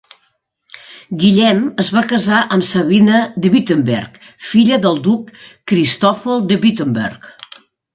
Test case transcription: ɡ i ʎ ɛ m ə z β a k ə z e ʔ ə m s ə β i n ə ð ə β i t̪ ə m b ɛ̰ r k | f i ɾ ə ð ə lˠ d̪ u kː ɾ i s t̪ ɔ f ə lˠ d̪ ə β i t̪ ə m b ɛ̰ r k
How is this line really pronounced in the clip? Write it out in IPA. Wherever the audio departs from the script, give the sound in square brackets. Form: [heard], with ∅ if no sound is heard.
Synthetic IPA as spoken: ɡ i ʎ ɛ m ə z β a k ə z [a] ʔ ə m s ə β i n ə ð ə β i t̪ ə m b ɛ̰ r k | f i [ʎ] ə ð ə lˠ d̪ u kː ɾ i s t̪ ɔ f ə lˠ d̪ ə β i t̪ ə m b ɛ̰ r k